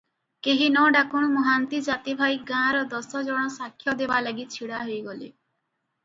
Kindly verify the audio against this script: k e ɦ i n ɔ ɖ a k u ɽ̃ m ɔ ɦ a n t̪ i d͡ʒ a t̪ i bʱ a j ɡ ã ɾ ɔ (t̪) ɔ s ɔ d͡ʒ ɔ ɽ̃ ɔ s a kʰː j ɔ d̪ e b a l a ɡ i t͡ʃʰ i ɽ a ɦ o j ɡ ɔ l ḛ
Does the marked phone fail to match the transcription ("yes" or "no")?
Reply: yes